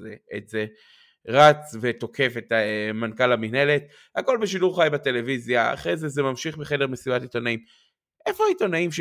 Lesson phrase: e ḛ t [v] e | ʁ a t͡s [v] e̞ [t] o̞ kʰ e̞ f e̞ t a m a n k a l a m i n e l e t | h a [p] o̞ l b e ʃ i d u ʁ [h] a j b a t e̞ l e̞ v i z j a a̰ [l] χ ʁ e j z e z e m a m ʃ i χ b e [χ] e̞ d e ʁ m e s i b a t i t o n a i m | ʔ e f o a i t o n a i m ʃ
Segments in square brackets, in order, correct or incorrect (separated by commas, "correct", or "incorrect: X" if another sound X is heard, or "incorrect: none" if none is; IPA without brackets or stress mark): incorrect: z, correct, correct, incorrect: k, incorrect: χ, incorrect: none, correct